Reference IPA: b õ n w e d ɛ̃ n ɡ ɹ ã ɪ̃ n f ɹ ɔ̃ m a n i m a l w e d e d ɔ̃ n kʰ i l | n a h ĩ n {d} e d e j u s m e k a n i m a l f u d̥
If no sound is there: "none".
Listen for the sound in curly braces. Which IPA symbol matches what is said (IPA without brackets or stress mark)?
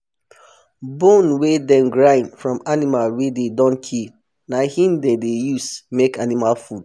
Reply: d